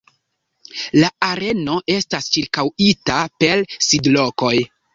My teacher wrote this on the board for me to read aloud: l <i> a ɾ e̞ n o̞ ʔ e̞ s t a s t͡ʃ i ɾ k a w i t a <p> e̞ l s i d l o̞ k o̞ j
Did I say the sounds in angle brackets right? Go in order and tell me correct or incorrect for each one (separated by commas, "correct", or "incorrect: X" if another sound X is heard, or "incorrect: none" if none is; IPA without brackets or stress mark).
incorrect: a, correct